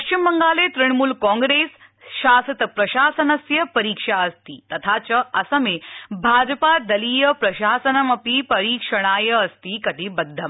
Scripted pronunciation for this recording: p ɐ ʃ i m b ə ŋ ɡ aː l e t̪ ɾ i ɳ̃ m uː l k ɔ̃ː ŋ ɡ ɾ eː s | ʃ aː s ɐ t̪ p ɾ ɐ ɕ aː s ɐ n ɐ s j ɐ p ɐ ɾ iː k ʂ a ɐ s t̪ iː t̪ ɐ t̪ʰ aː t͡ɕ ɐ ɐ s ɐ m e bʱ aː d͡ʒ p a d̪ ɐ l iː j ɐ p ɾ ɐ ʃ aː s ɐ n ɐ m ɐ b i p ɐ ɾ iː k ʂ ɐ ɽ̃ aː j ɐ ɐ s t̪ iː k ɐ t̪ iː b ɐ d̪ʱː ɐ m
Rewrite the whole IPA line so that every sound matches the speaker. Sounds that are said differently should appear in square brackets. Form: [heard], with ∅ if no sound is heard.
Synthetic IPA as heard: p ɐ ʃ i m b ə ŋ ɡ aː l e t̪ ɾ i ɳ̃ m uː l k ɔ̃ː ŋ ɡ ɾ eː s | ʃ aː s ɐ t̪ p ɾ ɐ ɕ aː s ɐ n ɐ s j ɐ p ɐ ɾ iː k ʂ a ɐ s t̪ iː t̪ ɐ t̪ʰ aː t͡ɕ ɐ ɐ s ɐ m e bʱ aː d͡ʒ p a d̪ ɐ l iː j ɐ p ɾ ɐ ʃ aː s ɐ n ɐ m ɐ [p] i p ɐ ɾ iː k ʂ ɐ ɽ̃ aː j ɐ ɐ s t̪ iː k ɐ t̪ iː b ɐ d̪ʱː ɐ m